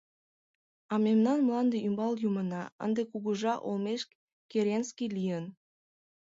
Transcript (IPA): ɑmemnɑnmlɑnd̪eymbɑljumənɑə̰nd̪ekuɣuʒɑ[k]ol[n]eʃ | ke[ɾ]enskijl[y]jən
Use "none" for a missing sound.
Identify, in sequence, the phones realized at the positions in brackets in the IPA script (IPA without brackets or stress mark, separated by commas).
ʔ, m, ɾ, i